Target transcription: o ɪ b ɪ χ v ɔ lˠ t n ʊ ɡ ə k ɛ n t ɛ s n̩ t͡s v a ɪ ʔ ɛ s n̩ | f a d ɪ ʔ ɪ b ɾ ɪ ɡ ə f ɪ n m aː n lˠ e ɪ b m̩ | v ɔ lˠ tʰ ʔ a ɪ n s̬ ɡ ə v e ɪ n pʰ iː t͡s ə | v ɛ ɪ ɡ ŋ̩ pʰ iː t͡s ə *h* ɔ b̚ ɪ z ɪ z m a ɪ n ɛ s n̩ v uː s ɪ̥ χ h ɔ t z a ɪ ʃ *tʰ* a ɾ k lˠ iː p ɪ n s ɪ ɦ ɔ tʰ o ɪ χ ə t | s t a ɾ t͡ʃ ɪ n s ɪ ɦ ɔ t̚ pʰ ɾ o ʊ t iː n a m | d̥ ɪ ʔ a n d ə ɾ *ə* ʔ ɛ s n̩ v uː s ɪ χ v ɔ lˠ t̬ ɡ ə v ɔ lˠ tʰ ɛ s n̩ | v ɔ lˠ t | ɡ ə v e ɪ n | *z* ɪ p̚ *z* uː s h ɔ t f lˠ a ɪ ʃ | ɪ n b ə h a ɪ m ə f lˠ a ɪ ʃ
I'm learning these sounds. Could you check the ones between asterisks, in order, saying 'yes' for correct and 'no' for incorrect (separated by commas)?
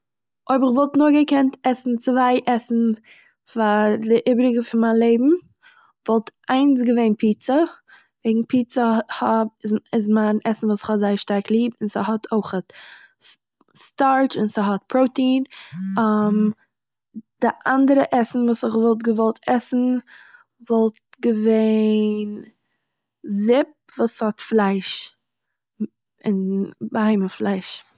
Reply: yes, no, yes, yes, no